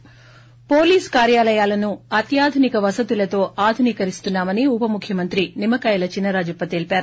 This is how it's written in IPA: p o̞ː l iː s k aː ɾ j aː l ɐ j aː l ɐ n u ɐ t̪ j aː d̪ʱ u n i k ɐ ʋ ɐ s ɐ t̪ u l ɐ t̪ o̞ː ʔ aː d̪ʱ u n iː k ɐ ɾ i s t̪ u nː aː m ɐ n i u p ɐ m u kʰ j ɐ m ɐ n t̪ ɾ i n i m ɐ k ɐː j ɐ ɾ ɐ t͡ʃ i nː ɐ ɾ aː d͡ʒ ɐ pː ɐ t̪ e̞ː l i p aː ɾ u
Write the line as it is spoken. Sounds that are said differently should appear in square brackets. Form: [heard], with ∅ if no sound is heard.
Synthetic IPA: p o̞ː l iː s k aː ɾ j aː l ɐ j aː l ɐ n u ɐ t̪ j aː d̪ʱ u n i k ɐ ʋ ɐ s ɐ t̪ u l ɐ t̪ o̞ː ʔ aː d̪ʱ u n iː k ɐ ɾ i s t̪ u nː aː m ɐ n i u p ɐ m u kʰ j ɐ m ɐ n t̪ ɾ i n i m ɐ k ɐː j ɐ [l] ɐ t͡ʃ i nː ɐ ɾ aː d͡ʒ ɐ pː ɐ t̪ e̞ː l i p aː ɾ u